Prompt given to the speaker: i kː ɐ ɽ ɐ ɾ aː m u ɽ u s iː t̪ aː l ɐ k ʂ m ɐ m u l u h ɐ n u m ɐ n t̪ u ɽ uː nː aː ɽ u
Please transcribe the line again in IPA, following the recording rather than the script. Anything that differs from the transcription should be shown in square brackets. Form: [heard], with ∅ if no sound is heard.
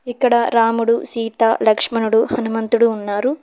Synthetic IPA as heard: i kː ɐ ɽ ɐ ɾ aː m u ɽ u s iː t̪ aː l ɐ k ʂ m ɐ [n] u [ɽ] u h ɐ n u m ɐ n t̪ u ɽ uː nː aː [ɾ] u